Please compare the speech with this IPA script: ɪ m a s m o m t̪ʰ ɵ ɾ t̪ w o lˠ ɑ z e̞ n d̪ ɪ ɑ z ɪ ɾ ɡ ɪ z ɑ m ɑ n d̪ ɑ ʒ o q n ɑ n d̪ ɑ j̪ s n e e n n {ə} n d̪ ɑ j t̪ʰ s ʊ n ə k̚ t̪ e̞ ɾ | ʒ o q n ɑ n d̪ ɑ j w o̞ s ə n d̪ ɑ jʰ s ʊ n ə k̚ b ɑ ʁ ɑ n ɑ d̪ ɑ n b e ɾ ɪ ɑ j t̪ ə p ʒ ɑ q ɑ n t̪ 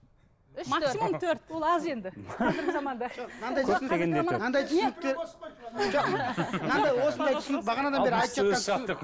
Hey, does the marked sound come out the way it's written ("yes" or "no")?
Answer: no